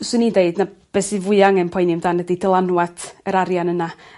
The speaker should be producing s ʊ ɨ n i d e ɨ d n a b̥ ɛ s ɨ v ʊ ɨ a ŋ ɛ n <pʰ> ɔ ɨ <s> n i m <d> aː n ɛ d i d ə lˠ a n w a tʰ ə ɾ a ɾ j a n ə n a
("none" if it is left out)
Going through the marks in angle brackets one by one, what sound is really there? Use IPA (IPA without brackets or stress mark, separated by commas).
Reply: pʰ, none, d